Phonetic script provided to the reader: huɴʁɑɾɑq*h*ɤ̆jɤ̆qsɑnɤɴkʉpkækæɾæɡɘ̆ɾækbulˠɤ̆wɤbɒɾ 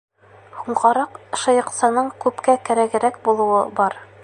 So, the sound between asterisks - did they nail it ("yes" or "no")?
no